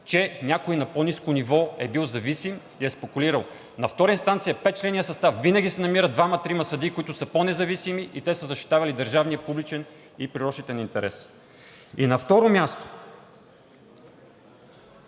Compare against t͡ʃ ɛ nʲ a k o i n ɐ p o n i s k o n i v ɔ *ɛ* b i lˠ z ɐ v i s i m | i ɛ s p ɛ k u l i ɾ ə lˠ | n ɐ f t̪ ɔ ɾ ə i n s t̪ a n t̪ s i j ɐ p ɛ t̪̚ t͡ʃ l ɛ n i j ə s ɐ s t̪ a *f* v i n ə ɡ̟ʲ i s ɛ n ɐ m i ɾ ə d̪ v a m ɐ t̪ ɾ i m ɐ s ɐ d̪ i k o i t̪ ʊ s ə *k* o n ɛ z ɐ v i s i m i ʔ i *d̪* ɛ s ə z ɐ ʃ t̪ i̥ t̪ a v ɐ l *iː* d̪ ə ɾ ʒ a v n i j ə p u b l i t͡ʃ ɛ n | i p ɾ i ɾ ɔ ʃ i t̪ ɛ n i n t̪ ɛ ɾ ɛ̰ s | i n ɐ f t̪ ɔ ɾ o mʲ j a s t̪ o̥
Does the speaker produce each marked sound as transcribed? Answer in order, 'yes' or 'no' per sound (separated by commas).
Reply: yes, yes, no, no, no